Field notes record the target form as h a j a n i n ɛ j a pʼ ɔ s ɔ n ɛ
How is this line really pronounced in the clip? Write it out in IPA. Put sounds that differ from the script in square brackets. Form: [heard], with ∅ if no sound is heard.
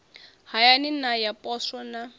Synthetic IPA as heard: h a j a n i n [a] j a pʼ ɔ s ɔ n [a]